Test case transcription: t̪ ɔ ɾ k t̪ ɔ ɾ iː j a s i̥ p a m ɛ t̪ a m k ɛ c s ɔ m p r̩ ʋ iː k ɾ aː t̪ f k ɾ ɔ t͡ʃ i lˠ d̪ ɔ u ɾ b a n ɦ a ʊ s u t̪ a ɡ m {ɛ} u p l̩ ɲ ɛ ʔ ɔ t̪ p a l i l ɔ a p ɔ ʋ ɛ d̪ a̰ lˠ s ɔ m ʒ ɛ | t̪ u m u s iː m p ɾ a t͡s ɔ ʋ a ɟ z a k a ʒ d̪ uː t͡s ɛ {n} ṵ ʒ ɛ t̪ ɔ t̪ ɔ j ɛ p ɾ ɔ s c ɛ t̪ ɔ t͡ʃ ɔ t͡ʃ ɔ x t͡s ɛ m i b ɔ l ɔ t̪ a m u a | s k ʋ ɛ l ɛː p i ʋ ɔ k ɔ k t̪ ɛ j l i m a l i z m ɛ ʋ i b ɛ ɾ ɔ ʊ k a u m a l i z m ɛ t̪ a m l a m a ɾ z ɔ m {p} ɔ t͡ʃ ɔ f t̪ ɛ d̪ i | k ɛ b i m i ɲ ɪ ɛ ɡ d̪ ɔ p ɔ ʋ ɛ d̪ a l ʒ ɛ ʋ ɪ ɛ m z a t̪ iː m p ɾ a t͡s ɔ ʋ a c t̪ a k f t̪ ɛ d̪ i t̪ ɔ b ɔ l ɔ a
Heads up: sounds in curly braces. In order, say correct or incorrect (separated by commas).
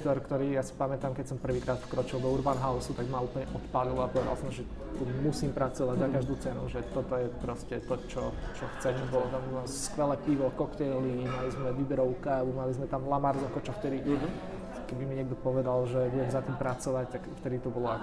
incorrect, correct, incorrect